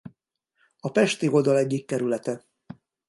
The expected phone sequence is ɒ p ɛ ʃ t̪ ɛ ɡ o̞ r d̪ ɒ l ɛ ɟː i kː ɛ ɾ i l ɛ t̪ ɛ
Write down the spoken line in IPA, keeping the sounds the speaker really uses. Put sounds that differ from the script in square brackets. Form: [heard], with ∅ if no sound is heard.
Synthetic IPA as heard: ɒ p ɛ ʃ t̪ [i] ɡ o̞ [l] d̪ ɒ l ɛ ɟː i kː ɛ ɾ [y] l ɛ t̪ ɛ